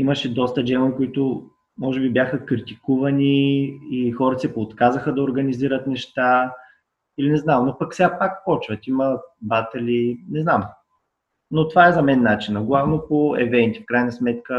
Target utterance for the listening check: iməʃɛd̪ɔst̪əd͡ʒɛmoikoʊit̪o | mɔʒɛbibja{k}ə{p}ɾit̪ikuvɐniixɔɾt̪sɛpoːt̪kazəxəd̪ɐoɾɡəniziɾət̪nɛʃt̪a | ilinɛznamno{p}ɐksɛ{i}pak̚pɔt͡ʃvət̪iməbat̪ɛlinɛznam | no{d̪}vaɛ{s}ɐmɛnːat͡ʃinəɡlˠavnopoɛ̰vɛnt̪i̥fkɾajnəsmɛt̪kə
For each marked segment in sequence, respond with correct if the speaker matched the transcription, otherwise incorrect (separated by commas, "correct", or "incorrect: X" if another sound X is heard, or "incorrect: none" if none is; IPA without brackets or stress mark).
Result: incorrect: x, incorrect: k, correct, incorrect: a, incorrect: t̪, incorrect: z